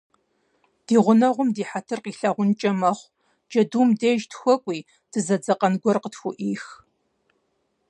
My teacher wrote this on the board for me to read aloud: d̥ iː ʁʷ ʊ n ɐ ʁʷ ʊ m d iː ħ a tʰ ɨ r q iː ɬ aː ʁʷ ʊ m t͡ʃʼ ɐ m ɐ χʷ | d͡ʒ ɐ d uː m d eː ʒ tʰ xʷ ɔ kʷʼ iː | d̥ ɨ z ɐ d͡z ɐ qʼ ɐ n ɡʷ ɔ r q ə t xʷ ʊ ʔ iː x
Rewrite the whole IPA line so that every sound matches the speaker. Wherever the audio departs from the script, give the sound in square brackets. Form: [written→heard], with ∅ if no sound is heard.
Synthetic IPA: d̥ iː ʁʷ ʊ n ɐ ʁʷ ʊ m d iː ħ a tʰ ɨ r q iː ɬ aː ʁʷ ʊ [m→n] t͡ʃʼ ɐ m ɐ χʷ | d͡ʒ ɐ d uː m d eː ʒ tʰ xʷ ɔ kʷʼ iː | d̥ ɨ z ɐ d͡z ɐ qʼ ɐ n ɡʷ ɔ r q ə t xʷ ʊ ʔ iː x

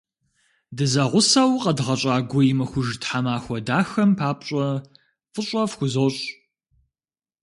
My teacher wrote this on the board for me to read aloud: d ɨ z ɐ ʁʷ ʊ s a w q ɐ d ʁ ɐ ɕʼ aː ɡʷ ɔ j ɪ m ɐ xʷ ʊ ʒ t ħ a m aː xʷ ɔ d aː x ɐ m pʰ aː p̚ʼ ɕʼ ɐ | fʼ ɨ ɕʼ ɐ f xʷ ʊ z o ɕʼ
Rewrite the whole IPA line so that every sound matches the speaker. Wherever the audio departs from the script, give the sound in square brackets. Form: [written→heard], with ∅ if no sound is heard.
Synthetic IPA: d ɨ z ɐ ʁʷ ʊ s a w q ɐ d ʁ ɐ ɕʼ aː ɡʷ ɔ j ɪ m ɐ xʷ ʊ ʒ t ħ a m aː xʷ ɔ d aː x ɐ m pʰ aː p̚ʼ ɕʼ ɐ | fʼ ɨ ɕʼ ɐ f xʷ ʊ z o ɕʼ

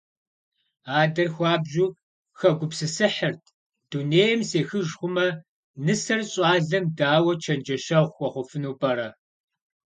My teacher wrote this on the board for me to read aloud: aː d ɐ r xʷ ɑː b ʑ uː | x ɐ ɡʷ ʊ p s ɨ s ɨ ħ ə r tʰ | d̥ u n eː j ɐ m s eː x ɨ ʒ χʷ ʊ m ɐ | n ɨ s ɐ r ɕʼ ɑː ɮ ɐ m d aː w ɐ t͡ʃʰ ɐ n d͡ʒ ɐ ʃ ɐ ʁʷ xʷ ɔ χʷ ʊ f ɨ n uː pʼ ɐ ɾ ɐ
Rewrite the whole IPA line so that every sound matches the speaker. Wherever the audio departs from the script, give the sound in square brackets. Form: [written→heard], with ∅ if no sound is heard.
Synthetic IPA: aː d ɐ r xʷ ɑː b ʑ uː | x ɐ ɡʷ ʊ p s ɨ s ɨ ħ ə r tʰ | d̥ u n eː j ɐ m s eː x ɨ ʒ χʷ ʊ m ɐ | n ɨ s ɐ r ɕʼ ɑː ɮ ɐ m d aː w ɐ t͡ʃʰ ɐ n d͡ʒ ɐ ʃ ɐ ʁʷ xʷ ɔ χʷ ʊ f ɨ n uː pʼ ɐ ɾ ɐ

